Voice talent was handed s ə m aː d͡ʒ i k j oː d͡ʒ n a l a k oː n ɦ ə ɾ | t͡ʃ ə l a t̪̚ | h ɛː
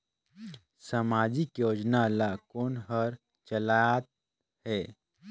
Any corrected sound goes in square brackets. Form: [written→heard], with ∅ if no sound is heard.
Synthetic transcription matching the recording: s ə m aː d͡ʒ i k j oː d͡ʒ n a l a k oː n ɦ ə ɾ | t͡ʃ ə l a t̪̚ | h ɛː